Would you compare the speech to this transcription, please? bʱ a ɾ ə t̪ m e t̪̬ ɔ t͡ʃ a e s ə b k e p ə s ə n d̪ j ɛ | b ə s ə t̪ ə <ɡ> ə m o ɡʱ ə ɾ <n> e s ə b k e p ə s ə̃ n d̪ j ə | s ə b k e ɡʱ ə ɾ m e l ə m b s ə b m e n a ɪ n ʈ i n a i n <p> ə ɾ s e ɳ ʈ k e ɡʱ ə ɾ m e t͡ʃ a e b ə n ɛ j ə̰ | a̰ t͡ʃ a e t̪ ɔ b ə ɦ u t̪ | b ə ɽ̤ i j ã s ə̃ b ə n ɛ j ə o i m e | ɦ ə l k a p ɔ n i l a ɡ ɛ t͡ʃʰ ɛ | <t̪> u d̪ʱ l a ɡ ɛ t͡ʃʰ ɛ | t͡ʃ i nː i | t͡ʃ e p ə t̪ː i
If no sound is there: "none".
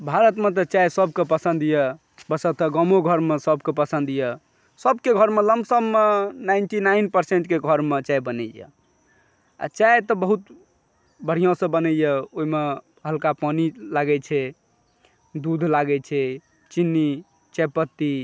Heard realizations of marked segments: ɡ, m, p, d̪

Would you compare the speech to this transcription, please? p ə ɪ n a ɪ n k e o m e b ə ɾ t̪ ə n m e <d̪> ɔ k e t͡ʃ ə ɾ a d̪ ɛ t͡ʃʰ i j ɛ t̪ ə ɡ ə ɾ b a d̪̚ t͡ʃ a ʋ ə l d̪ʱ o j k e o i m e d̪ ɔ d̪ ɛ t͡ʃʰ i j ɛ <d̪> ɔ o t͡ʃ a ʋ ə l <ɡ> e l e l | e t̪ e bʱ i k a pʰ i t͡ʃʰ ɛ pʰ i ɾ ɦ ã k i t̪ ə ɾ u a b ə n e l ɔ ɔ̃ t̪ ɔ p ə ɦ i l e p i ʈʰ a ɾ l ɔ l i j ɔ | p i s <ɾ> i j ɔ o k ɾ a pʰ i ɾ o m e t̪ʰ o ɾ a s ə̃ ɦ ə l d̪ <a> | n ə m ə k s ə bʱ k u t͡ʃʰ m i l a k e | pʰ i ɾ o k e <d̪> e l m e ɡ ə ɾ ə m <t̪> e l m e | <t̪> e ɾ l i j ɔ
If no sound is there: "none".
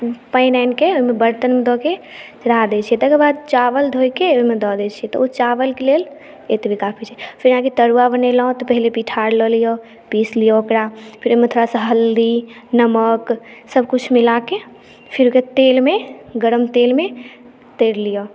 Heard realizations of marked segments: d̪, t̪, k, l, i, t̪, t̪, t̪

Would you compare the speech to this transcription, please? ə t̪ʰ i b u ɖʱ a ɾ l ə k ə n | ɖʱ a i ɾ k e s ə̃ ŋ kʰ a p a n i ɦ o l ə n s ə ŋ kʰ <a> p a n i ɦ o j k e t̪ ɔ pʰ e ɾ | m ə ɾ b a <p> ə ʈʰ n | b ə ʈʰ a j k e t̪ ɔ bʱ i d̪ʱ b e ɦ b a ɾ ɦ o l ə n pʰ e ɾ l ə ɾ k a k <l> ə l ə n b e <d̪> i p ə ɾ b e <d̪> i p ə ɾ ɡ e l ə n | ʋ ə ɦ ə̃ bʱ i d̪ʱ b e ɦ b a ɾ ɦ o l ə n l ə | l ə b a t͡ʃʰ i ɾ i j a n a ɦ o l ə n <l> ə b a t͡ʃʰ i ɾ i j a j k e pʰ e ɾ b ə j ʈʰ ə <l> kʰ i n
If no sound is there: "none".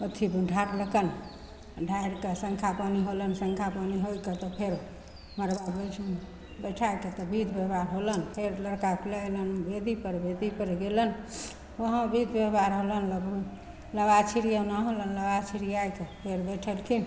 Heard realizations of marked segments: a, b, l, d̪, d̪, l, l

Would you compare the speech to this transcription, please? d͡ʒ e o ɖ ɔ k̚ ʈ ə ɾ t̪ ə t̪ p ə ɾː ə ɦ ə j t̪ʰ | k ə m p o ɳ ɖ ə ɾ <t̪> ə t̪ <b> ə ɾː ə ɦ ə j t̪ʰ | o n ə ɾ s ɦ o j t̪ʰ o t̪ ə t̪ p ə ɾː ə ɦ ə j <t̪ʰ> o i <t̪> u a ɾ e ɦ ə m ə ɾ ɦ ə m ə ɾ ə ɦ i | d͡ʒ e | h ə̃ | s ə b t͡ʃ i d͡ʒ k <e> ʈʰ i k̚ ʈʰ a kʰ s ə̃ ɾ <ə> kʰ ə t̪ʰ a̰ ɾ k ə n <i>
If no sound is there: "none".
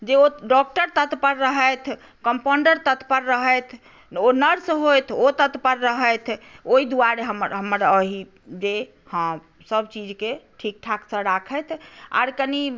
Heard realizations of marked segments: t̪, p, t̪ʰ, d̪, e, a, i

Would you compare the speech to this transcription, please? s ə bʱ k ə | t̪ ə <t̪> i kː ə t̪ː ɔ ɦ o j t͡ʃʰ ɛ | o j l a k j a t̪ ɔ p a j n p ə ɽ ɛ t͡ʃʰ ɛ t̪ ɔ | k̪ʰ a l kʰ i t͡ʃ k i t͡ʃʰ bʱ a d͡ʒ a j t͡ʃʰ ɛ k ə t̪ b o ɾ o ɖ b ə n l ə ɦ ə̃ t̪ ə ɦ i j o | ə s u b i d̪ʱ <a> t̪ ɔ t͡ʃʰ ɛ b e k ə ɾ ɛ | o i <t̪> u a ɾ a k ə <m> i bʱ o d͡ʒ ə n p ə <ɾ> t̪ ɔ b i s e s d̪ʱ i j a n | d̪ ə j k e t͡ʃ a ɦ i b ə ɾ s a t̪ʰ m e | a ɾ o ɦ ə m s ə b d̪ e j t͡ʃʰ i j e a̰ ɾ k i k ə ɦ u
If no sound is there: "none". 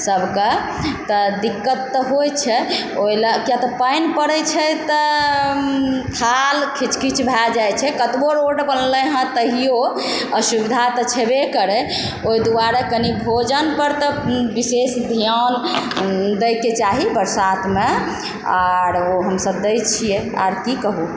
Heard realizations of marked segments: d̪, a, d̪, n, ɾ

